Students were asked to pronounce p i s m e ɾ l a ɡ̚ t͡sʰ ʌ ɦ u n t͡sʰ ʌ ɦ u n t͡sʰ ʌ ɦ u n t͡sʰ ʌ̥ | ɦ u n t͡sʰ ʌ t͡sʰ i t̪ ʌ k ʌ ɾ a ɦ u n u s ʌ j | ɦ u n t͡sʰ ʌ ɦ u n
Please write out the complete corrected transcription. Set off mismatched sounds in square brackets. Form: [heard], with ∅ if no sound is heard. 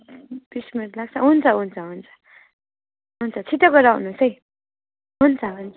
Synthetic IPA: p i s m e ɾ l a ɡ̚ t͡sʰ ʌ ɦ u n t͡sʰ ʌ ɦ u n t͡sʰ ʌ ɦ u n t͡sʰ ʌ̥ | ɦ u n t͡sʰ ʌ t͡sʰ i t̪ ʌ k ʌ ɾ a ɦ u n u s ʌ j | ɦ u n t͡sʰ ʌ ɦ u n